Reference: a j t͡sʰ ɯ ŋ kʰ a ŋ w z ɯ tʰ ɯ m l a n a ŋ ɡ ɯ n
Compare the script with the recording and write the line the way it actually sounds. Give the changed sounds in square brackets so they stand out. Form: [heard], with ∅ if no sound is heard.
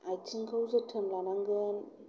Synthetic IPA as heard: a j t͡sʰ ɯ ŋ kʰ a [∅] w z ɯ tʰ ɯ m l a n a ŋ ɡ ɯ n